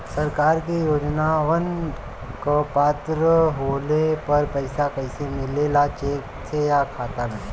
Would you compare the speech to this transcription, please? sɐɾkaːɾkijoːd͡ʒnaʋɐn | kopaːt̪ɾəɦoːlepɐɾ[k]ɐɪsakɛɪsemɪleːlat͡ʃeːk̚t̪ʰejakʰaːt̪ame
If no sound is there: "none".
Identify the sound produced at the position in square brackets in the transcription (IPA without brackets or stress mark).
p